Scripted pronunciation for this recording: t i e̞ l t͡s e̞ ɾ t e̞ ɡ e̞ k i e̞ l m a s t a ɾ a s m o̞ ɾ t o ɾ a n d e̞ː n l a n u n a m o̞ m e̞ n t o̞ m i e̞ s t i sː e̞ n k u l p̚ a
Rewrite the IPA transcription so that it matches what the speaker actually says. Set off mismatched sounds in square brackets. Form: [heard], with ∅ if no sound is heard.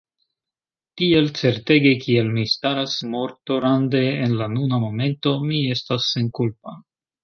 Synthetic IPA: t i e̞ l t͡s e̞ ɾ t e̞ ɡ e̞ k i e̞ l m [i] s t a ɾ a s m o̞ ɾ t o ɾ a n d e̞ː n l a n u n a m o̞ m e̞ n t o̞ m i e̞ s t [a] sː e̞ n k u l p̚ a